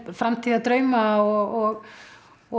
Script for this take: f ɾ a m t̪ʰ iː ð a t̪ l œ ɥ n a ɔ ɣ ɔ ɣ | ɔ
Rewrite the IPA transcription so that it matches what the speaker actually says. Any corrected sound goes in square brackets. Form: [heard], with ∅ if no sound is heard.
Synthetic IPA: f ɾ a m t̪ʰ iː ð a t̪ [ɾ] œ ɥ [m] a ɔ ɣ ɔ ɣ | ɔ